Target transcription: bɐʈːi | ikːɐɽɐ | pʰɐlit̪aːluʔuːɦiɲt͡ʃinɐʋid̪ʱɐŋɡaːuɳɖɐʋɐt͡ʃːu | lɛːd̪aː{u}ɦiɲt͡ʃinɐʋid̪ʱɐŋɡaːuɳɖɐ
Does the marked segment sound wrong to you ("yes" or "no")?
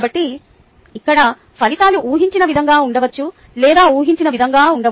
yes